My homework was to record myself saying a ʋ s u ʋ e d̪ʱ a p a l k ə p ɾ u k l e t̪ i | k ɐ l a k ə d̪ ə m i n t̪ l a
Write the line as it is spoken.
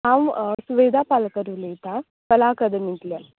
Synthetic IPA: a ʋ s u ʋ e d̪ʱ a p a l k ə ɾ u l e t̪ a | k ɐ l a k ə d̪ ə m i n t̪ l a